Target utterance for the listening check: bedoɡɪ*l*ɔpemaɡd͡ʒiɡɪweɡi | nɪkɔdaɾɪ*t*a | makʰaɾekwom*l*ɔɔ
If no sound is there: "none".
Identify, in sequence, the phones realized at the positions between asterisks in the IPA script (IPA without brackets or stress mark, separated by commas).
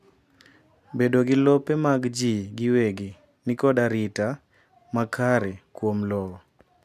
l, t, l